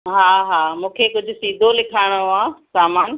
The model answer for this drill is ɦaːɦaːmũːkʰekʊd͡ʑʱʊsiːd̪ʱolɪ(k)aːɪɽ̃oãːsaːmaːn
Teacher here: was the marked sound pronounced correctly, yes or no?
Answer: no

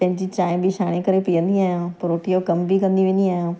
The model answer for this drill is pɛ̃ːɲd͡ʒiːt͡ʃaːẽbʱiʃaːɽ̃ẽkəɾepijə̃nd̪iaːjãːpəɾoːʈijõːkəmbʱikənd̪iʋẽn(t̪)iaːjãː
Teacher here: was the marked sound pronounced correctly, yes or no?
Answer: no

